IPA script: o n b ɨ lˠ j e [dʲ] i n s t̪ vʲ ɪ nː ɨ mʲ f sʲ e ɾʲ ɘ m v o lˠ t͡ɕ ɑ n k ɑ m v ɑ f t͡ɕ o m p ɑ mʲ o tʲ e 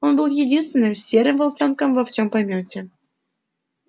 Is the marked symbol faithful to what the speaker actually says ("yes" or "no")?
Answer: yes